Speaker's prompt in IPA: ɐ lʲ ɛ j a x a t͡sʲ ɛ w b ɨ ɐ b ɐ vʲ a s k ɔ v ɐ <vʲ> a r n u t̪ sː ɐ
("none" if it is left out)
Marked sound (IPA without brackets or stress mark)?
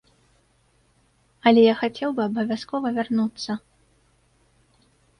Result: vʲ